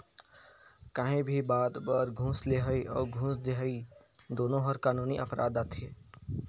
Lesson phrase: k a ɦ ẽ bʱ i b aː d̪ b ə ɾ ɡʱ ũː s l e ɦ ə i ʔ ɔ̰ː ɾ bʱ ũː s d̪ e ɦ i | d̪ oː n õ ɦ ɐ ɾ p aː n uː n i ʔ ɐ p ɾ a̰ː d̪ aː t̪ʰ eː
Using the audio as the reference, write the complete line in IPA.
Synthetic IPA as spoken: k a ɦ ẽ bʱ i b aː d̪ b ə ɾ ɡʱ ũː s l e ɦ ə i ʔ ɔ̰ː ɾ ɡʱ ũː s d̪ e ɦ i | d̪ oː n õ ɦ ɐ ɾ k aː n uː n i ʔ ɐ p ɾ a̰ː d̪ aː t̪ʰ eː